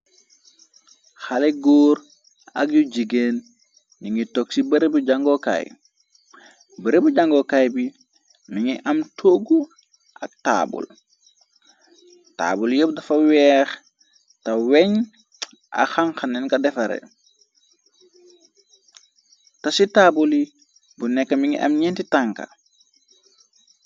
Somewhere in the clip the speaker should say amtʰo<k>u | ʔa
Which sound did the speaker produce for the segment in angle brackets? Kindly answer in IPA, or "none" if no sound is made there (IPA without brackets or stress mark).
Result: ɡ